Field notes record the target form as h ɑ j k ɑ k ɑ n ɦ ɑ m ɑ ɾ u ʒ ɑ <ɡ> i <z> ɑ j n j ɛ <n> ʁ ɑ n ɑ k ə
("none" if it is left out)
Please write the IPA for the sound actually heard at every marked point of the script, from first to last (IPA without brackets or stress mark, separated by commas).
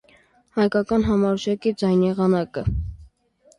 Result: k, d͡z, none